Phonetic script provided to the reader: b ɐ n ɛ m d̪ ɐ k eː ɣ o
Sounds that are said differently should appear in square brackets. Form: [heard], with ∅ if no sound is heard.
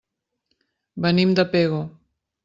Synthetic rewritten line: b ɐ n [i] m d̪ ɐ [p] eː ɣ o